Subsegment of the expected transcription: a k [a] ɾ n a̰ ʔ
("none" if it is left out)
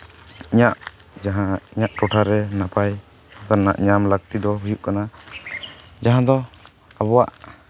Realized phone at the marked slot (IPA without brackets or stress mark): a